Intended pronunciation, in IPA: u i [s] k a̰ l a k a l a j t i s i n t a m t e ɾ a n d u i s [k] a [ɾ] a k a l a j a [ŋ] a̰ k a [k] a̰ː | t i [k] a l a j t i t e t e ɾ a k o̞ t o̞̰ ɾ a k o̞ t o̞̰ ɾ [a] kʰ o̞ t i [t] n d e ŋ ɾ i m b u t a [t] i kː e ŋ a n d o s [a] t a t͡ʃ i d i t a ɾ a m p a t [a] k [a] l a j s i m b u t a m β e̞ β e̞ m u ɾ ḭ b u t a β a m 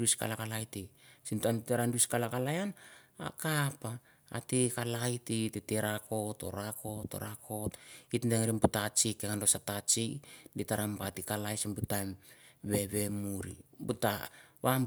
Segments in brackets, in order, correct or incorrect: correct, correct, incorrect: l, incorrect: n, incorrect: p, correct, correct, correct, incorrect: t͡ʃ, correct, incorrect: i, correct

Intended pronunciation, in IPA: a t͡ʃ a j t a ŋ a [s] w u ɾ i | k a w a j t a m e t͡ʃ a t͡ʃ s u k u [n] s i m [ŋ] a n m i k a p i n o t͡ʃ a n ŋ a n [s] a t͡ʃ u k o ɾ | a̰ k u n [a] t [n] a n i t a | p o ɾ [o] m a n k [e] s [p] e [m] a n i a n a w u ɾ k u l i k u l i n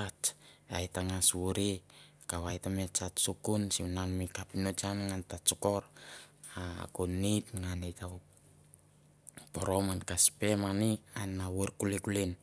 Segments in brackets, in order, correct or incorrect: correct, correct, incorrect: n, incorrect: t, incorrect: i, incorrect: ŋ, correct, incorrect: a, correct, correct

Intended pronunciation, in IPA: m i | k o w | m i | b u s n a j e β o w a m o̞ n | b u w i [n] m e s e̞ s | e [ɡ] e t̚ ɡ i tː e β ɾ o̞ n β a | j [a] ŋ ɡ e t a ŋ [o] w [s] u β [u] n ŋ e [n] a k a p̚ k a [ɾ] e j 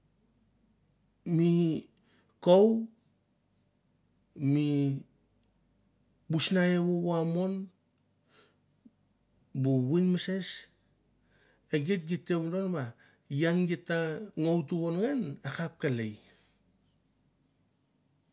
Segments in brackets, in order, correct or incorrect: correct, correct, correct, correct, incorrect: t, incorrect: o, correct, incorrect: l

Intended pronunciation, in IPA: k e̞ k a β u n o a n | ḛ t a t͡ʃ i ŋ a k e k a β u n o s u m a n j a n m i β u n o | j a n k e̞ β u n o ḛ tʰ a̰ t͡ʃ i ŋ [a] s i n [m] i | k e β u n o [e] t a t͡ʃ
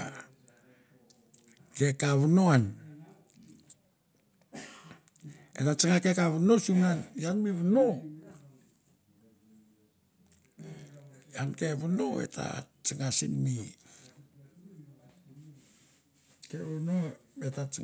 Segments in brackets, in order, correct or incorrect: correct, correct, correct

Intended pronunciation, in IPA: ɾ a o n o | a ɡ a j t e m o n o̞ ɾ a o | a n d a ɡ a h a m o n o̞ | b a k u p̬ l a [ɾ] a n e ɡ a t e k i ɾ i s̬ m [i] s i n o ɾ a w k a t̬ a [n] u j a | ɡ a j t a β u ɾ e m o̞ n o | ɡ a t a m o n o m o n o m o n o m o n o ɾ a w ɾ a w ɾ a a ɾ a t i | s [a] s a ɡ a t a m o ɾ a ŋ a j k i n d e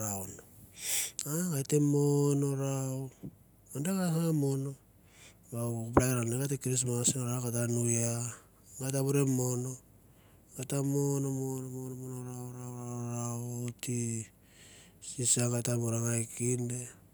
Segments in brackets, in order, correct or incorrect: correct, incorrect: a, correct, incorrect: i

